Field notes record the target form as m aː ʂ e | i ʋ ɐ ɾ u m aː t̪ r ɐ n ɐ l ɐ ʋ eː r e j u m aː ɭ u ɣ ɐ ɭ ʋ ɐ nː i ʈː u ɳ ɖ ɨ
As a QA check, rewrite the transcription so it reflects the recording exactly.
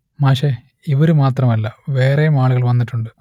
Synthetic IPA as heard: m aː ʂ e | i ʋ ɐ ɾ u m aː t̪ r ɐ m ɐ lː ɐ ʋ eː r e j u m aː ɭ u ɣ ɐ ɭ ʋ ɐ nː i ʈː u ɳ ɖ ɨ

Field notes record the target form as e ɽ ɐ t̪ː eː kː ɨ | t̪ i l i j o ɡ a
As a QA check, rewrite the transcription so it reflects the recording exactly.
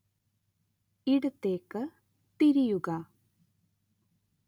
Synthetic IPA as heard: i ɽ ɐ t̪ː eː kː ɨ | t̪ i ɾ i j u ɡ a

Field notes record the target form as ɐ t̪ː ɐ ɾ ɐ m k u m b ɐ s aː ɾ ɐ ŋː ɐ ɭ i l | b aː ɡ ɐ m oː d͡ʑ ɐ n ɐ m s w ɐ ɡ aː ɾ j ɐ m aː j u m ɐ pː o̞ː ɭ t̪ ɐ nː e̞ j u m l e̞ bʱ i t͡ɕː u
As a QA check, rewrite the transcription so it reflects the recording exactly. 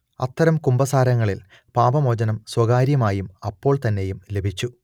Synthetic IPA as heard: ɐ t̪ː ɐ ɾ ɐ m k u m b ɐ s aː ɾ ɐ ŋː ɐ ɭ i l | p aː b ɐ m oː d͡ʑ ɐ n ɐ m s w ɐ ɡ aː ɾ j ɐ m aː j u m ɐ pː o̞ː ɭ t̪ ɐ nː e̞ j u m l e̞ bʱ i t͡ɕː u

